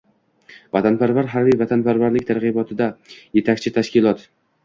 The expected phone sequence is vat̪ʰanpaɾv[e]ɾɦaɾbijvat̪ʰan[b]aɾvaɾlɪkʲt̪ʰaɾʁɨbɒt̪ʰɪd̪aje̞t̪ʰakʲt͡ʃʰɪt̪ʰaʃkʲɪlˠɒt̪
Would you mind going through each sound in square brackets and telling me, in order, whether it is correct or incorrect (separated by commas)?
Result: incorrect, incorrect